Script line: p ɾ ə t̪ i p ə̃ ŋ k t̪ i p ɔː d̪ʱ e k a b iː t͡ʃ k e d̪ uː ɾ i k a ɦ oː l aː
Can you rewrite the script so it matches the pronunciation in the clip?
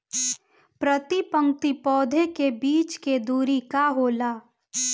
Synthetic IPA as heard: p ɾ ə t̪ i p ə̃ ŋ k t̪ i p ɔː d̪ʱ e k e b iː t͡ʃ k e d̪ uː ɾ i k a ɦ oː l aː